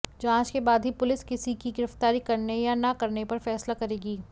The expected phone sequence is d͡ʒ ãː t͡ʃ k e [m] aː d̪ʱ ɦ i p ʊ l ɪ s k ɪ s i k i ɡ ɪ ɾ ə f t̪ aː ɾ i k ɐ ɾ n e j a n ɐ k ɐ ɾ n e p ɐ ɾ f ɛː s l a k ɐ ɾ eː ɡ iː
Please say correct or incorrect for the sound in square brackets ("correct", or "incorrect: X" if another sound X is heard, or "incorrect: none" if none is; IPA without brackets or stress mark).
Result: incorrect: b